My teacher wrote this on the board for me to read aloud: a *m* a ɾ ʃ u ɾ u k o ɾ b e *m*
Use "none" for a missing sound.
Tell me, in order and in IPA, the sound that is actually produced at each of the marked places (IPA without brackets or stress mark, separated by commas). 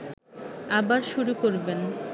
b, n